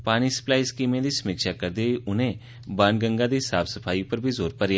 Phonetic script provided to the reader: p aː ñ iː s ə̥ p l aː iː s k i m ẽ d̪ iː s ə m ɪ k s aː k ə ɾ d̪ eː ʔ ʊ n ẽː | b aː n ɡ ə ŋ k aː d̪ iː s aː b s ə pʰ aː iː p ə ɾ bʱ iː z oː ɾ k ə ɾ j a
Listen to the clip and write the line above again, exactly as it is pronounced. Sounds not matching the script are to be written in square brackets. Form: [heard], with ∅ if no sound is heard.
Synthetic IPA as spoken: p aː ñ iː s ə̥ p l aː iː s k [iː] m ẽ d̪ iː s ə m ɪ k [ʃ] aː k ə ɾ d̪ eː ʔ ʊ n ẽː | b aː n ɡ ə ŋ [ɡ] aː d̪ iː s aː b s ə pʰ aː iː p ə ɾ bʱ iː z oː ɾ [p] ə ɾ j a